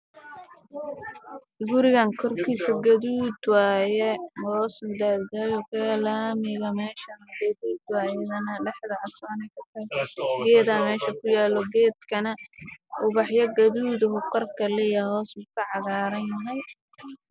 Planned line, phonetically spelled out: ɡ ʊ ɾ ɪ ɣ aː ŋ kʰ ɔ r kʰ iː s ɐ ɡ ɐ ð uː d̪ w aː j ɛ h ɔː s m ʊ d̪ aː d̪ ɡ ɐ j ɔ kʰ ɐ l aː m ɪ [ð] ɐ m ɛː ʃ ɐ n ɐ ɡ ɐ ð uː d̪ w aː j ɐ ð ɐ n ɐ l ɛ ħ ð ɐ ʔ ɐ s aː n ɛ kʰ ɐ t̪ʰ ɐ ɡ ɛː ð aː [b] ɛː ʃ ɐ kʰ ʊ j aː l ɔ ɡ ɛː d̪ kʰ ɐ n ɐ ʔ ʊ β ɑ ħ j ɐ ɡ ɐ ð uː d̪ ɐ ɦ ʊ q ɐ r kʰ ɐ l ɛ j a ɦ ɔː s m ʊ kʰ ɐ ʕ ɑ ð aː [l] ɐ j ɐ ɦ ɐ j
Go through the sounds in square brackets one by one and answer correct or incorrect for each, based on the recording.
incorrect: ɣ, incorrect: m, incorrect: ɾ

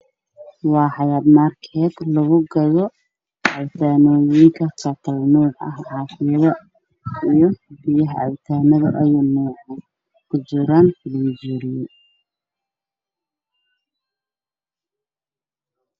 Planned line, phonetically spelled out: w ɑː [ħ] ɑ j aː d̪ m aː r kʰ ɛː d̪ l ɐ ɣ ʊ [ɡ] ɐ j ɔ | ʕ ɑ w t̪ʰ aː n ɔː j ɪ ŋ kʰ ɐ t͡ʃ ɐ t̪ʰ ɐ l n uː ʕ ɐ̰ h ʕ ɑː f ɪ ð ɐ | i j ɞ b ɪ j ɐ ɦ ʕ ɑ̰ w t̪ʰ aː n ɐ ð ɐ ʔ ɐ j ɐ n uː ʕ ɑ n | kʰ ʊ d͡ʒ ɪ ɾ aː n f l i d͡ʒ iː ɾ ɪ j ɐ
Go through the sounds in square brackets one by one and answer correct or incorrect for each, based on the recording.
correct, correct

